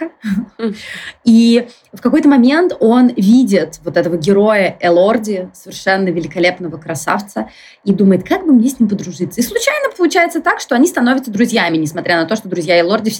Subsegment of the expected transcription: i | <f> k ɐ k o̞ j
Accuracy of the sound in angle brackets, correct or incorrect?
correct